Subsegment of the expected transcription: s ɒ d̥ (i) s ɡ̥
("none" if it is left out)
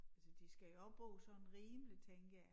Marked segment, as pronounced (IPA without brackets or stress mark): i